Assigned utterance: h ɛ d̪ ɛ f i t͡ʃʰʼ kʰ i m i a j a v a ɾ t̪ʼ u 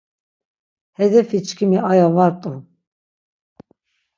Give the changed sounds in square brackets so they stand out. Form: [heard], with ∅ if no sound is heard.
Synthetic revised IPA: h ɛ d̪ ɛ f i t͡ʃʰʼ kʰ i m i a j a v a ɾ t̪ʼ u